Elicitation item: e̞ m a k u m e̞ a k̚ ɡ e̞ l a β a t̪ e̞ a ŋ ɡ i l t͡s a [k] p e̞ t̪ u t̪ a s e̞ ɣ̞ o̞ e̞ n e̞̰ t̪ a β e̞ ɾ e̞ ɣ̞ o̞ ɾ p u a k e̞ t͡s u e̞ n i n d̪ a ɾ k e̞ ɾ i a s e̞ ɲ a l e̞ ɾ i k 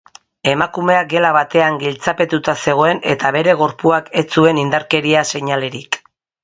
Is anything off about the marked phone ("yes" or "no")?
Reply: yes